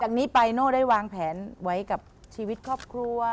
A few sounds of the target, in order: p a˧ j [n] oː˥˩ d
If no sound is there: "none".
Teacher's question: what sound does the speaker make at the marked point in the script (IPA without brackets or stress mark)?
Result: n